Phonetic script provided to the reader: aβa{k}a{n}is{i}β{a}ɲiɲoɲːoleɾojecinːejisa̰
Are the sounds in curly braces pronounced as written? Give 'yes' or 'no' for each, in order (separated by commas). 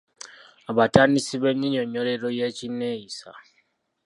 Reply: no, yes, yes, no